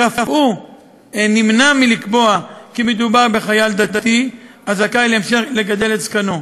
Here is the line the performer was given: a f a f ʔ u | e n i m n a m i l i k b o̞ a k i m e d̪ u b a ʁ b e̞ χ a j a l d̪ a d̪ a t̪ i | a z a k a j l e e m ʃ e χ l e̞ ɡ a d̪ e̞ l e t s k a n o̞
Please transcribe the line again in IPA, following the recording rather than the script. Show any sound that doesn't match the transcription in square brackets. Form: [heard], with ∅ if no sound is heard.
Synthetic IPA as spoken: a f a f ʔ u | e n i m n a m i l i k b o̞ a k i m e d̪ u b a ʁ b e̞ χ a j a l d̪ a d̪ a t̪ i | a z a k a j l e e m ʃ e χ l e̞ ɡ a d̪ e̞ l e t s k a n o̞